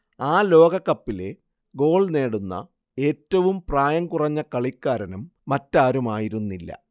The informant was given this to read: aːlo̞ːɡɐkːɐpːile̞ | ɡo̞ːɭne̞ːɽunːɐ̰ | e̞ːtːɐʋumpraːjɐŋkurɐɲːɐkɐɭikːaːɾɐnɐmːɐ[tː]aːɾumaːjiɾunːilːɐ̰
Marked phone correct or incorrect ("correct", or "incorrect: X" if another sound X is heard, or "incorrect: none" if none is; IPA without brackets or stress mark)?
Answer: correct